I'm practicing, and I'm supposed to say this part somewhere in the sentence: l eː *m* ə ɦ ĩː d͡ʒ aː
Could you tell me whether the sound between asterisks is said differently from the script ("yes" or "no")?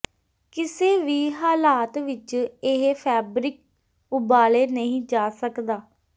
yes